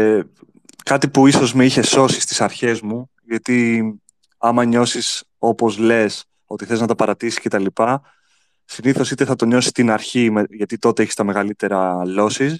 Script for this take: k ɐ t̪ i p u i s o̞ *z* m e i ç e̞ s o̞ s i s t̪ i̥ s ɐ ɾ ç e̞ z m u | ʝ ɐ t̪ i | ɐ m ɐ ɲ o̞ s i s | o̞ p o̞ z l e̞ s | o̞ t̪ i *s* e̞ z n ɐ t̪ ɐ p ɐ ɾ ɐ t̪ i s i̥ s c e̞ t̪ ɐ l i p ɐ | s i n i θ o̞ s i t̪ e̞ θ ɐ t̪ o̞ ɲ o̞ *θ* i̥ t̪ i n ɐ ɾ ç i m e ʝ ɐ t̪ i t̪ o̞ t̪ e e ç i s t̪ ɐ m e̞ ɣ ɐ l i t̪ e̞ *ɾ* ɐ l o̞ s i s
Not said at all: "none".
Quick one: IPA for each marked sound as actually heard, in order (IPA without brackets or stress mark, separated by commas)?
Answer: z, θ, s, ɾ